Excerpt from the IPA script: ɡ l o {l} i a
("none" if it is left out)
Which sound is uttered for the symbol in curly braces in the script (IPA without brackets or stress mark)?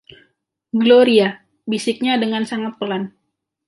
ɾ